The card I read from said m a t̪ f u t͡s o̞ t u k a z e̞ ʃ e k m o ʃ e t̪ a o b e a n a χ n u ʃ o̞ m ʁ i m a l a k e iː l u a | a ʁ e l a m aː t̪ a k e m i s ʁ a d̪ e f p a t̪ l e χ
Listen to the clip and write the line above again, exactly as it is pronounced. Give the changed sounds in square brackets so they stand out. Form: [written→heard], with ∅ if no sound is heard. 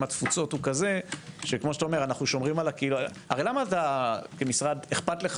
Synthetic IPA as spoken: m a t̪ f u t͡s o̞ t u k a z e̞ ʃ e k m o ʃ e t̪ a o [b→m] e a n a χ n u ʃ o̞ m ʁ i m a l a k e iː l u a | a ʁ e l a m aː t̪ a k e m i s ʁ a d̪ e [f→χ] p a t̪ l e χ

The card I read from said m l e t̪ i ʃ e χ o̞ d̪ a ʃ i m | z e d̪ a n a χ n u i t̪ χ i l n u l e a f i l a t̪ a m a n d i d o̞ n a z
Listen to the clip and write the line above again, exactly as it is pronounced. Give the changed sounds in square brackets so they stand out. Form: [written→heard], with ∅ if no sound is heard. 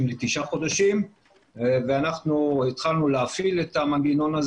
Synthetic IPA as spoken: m l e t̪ i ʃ [e→a] χ o̞ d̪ a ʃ i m | [z→v] e [d̪→∅] a n a χ n u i t̪ χ [i→a] l n u l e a f i l [a→e] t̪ a m a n [d→ɡ] i [d→n] o̞ n a z

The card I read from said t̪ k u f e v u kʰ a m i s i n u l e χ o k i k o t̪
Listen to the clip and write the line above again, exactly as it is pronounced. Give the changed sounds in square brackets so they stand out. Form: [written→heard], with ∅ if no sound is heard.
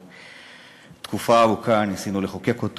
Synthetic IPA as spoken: t̪ k u f [e→a] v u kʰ a [m→n] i s i n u l e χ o k [i→e] k o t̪

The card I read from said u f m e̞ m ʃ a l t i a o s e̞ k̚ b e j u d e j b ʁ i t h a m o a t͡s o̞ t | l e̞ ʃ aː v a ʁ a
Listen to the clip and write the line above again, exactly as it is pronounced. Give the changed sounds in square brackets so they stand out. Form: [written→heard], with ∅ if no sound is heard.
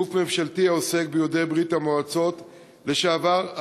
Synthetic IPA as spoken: u f m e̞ m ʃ a l t i a o s e̞ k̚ b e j [u→o] d e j b ʁ i t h a m o a t͡s o̞ t | l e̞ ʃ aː v a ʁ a

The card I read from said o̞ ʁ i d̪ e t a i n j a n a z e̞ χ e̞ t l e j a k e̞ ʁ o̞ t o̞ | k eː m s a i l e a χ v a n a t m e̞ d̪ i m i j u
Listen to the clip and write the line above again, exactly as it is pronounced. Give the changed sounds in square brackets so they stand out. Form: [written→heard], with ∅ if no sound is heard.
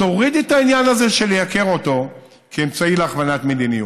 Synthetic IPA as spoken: o̞ ʁ i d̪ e t a i n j a n a z e̞ [χ→ʃ] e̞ [t→∅] l e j a k e̞ ʁ o̞ t o̞ | k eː m [s→t͡s] a i l e a χ v a n a t m e̞ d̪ i [m→n] i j u

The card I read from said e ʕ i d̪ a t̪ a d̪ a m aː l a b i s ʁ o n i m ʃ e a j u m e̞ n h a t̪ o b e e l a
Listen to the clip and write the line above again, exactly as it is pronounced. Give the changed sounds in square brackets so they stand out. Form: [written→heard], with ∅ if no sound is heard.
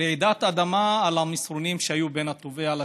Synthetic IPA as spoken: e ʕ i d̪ a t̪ a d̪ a m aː l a [b→m] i s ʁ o n i m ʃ e a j u [m→b] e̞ n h a t̪ o [b→v] e [e→a] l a

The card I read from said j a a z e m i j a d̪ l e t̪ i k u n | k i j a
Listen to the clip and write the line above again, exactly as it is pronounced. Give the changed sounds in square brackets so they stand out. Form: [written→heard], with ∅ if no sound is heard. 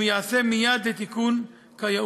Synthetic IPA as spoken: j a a [z→s] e m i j a d̪ l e t̪ i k u n | k [i→a] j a

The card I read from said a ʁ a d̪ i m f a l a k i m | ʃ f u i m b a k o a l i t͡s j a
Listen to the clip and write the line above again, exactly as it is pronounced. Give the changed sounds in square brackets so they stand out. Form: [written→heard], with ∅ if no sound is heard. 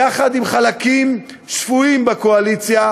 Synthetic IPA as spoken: a [ʁ→χ] a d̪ i m [f→χ] a l a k i m | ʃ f u i m b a k o a l i t͡s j a

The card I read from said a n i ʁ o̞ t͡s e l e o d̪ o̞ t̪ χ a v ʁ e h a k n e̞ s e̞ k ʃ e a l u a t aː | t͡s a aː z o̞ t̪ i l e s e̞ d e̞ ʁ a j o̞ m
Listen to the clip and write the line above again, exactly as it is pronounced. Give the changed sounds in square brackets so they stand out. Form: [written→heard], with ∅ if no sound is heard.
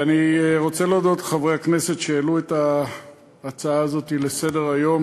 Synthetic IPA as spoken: a n i ʁ o̞ t͡s e l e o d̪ o̞ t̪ χ a v ʁ e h a k n e̞ s e̞ [k→t] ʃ e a l u [a→e] t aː | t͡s a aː z o̞ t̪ i l e s e̞ d e̞ ʁ a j o̞ m

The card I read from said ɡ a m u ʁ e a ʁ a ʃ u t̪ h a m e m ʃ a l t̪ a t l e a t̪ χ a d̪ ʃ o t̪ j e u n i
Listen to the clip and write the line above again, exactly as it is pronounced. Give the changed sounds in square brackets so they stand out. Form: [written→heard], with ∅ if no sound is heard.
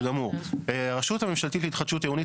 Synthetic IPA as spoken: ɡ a m u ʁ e a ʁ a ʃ u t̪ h a m e m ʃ a l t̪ [a→i] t l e [a→i] t̪ χ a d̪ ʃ [o→u] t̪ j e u n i

